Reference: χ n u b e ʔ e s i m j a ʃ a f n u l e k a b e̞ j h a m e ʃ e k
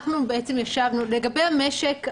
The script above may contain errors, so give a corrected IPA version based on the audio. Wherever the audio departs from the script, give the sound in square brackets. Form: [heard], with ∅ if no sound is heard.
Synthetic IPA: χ n u b e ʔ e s [e] m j a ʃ a [v] n u l e [ɡ] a b e̞ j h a m e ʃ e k